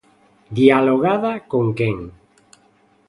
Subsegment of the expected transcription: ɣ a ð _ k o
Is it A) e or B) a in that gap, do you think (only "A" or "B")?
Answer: B